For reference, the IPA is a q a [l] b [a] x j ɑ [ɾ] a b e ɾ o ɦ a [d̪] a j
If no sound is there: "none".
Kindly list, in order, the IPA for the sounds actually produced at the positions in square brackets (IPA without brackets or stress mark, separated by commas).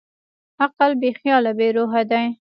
l, e, l, d̪